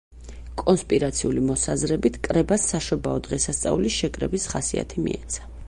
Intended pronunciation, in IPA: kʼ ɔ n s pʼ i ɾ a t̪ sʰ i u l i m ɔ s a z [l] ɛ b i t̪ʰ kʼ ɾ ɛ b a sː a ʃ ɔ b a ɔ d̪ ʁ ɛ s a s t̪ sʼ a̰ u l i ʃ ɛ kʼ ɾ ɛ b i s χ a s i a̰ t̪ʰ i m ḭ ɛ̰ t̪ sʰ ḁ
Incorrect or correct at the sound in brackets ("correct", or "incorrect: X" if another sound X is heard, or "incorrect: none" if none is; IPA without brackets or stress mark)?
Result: incorrect: ɾ